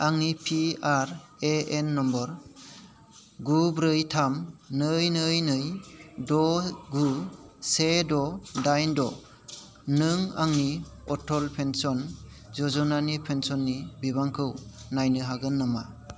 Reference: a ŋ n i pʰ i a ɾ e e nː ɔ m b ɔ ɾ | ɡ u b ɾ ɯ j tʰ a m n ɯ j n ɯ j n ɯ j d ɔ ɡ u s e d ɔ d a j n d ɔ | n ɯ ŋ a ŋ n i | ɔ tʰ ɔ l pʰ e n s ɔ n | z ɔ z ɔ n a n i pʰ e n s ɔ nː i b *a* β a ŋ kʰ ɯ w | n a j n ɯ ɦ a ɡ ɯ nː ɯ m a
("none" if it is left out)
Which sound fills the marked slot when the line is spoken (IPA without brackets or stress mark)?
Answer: i